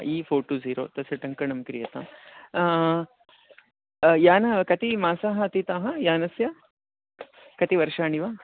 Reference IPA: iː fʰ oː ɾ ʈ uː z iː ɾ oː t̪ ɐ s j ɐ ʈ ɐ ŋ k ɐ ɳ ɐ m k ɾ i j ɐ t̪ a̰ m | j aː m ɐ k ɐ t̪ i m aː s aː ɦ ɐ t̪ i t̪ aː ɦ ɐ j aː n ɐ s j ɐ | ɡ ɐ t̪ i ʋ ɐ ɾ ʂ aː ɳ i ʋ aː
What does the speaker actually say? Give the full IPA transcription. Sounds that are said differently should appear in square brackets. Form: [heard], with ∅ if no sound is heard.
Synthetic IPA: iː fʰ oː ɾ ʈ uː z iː ɾ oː t̪ ɐ s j ɐ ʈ ɐ ŋ k ɐ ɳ ɐ m k ɾ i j ɐ t̪ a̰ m | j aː [n] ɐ k ɐ t̪ i m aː s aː ɦ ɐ t̪ i t̪ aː ɦ ɐ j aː n ɐ s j ɐ | [k] ɐ t̪ i ʋ ɐ ɾ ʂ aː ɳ i ʋ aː